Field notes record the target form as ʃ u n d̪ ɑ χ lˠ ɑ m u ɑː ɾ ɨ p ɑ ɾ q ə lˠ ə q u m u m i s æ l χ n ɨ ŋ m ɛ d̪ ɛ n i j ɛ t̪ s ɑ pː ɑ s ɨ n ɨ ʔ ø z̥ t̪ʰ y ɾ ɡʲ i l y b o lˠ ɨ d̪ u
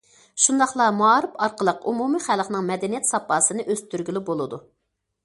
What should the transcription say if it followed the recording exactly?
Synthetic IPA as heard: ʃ u n d̪ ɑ χ lˠ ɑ m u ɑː ɾ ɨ p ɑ ɾ q ə lˠ ə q u m u m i χ æ l χ n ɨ ŋ m ɛ d̪ ɛ n i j ɛ t̪ s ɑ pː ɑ s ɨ n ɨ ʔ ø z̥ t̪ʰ y ɾ ɡʲ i l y b o lˠ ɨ d̪ u